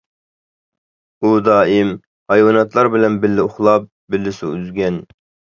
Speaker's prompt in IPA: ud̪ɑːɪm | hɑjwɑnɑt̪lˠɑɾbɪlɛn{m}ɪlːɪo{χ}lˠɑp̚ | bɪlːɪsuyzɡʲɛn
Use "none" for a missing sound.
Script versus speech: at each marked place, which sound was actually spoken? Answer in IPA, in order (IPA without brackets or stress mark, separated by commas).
b, χ